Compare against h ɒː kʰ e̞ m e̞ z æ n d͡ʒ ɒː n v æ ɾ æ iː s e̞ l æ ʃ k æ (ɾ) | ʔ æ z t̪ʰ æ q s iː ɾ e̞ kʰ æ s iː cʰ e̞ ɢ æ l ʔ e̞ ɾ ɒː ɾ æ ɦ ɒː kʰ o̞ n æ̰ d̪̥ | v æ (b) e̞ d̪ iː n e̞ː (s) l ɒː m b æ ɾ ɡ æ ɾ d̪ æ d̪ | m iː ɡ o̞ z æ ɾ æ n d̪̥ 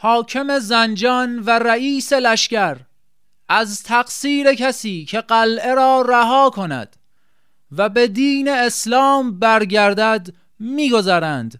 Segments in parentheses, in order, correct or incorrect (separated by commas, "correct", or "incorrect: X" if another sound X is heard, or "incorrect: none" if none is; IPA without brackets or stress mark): correct, correct, correct